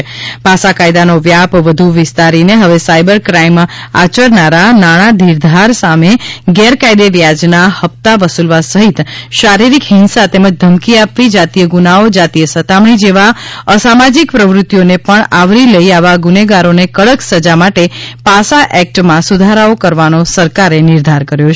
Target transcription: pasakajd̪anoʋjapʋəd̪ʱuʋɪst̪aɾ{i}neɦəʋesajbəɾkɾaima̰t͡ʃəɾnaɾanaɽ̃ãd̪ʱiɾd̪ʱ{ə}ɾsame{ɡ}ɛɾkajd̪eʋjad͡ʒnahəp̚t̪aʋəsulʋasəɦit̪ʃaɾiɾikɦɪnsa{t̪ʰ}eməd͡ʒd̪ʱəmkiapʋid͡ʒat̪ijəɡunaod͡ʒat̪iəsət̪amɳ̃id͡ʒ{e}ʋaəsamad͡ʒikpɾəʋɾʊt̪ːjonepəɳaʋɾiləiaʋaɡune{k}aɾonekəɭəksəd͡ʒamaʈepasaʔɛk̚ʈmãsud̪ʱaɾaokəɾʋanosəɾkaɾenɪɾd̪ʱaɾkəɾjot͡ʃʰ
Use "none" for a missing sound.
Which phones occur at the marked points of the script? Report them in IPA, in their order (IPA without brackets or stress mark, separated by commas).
i, a, ɡ, t̪, e, ɡ